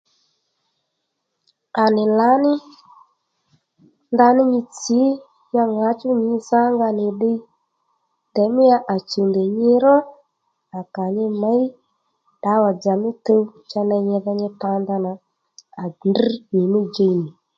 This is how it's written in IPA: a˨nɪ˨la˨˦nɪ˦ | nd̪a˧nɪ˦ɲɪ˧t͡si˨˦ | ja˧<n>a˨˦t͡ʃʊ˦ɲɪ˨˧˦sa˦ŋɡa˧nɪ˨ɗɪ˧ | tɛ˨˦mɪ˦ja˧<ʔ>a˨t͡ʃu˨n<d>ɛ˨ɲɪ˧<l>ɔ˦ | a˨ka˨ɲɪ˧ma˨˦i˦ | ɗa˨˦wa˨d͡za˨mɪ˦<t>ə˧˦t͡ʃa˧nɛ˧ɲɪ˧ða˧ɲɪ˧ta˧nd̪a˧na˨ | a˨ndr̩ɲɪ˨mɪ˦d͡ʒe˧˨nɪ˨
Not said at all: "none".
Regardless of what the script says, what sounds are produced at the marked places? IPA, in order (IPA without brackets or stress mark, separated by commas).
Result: ŋ, ʔ, d, ɾ, t